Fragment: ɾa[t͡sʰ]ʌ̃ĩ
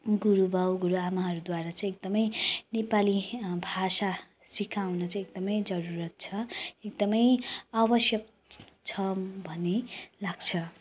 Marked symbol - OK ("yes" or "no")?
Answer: no